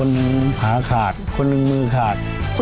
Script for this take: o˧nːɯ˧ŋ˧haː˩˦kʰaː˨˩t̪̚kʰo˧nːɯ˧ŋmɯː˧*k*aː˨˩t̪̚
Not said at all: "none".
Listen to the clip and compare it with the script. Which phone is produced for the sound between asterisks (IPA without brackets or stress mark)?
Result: kʰ